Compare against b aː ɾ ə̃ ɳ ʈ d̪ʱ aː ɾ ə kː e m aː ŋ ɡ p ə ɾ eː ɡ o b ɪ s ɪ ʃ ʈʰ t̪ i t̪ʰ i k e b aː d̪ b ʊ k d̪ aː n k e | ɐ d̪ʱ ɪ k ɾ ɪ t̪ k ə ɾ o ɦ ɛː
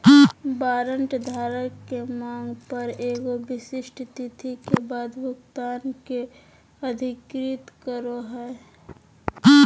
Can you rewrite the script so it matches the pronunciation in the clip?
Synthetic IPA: b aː ɾ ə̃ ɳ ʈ d̪ʱ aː ɾ ə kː e m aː ŋ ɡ p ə ɾ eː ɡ o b ɪ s ɪ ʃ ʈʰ t̪ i t̪ʰ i k e b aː d̪ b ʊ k t̪ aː n k e | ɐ d̪ʱ ɪ k ɾ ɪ t̪ k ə ɾ o ɦ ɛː